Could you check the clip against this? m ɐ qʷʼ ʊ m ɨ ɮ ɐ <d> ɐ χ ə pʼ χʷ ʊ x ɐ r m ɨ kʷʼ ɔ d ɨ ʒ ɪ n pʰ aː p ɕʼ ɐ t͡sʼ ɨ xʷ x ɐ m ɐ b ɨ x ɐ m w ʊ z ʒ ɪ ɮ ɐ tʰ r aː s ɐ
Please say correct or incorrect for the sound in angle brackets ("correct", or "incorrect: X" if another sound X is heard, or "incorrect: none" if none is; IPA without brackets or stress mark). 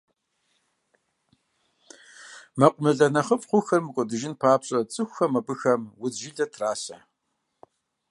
incorrect: n